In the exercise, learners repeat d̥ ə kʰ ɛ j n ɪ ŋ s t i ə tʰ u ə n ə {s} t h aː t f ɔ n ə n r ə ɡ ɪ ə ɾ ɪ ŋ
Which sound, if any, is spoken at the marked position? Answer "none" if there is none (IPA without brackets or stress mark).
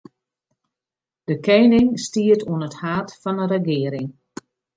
none